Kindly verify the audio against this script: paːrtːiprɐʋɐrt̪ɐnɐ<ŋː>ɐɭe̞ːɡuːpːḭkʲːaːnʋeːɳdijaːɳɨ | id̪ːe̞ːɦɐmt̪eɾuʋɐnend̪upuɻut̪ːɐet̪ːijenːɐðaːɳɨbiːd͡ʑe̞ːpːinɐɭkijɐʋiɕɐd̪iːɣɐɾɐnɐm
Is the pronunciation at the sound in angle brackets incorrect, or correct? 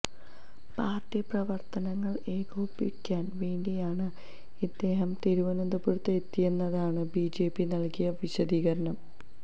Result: correct